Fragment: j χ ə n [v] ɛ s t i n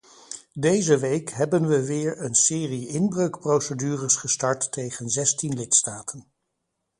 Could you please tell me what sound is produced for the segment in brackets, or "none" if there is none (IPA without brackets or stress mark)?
z